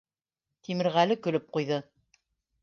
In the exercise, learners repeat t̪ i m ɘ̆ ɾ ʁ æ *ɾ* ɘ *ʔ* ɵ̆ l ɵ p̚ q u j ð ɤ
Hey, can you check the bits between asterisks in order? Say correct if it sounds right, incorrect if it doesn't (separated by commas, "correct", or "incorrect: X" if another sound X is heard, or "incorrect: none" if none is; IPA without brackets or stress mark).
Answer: incorrect: l, incorrect: k